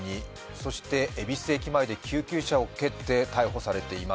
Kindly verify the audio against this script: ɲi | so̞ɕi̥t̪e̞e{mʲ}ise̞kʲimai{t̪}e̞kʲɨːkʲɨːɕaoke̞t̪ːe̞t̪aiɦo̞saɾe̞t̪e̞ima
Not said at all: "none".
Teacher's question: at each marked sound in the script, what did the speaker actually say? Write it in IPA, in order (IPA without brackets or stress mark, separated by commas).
bʲ, d̪